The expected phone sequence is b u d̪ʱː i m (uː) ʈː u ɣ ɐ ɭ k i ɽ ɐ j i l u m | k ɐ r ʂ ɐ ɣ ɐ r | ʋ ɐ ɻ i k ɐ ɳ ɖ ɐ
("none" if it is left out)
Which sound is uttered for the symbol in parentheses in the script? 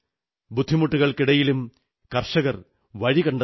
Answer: u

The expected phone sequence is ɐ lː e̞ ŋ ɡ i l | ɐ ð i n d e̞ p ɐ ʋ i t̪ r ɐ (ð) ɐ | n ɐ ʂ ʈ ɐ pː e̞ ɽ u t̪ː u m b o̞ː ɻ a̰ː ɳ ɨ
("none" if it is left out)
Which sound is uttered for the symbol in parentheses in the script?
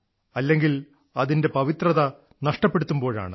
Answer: ð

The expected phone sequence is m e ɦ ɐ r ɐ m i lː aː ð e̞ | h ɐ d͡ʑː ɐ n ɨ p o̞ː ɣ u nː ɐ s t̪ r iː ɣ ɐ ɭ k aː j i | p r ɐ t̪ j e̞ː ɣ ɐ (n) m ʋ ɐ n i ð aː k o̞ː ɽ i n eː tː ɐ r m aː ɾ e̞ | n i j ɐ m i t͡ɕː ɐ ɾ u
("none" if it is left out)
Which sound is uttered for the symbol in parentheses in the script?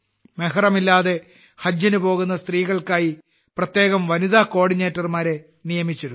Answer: none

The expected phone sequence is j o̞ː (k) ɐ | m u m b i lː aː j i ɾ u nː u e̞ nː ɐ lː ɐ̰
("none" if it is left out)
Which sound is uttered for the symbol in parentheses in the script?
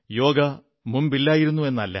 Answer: ɡ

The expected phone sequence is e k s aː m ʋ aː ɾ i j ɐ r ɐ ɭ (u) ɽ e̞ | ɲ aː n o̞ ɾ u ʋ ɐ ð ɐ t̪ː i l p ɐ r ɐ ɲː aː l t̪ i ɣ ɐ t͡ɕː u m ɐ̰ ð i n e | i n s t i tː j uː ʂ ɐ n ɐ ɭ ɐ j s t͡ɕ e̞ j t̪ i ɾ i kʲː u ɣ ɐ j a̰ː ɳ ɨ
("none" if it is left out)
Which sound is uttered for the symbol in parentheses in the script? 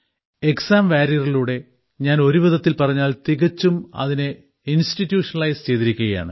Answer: uː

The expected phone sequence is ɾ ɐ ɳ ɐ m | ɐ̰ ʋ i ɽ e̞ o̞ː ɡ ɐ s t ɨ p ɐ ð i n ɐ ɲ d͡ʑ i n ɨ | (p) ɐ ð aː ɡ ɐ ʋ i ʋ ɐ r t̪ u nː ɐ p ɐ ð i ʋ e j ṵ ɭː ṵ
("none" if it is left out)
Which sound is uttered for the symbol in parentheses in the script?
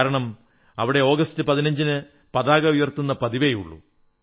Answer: p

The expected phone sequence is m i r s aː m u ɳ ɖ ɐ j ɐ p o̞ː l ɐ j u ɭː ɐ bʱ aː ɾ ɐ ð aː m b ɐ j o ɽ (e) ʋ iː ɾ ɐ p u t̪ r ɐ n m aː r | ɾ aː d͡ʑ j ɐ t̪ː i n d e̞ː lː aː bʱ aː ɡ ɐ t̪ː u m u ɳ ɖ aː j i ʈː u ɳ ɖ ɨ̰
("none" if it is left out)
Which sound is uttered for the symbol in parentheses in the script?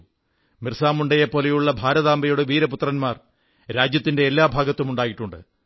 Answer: e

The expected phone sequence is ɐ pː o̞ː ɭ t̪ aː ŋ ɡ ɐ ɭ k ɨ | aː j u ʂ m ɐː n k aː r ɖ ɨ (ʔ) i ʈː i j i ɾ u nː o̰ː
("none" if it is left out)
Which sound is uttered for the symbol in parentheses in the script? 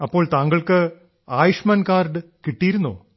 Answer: k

